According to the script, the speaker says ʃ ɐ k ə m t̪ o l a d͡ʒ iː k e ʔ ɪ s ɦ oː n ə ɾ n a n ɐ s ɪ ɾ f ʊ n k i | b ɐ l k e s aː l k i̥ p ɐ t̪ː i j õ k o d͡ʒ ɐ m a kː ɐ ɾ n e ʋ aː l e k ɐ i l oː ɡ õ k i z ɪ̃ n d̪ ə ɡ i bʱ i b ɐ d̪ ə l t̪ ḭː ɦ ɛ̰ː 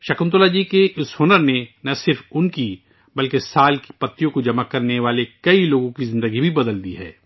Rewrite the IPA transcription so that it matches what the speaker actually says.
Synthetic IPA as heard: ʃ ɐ k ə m t̪ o l a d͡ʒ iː k e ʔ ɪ s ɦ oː n ə ɾ n e n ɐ s ɪ ɾ f ʊ n k i | b ɐ l k e s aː l k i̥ p ɐ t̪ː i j õ k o d͡ʒ ɐ m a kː ɐ ɾ n e ʋ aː l e k ɐ i l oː ɡ õ k i z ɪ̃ n d̪ ə ɡ i bʱ i b ɐ d̪ ə l d̪ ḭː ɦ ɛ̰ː